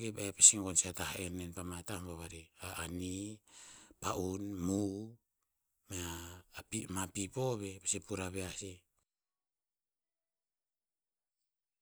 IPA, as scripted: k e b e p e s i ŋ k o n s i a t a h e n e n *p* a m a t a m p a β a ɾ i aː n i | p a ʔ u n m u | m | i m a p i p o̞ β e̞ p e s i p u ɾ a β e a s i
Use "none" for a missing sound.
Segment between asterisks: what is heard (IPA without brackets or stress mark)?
p